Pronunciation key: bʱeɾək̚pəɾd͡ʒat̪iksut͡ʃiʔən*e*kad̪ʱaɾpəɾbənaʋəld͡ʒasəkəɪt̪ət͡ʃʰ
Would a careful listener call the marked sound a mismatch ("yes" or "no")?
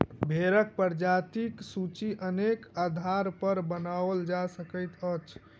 no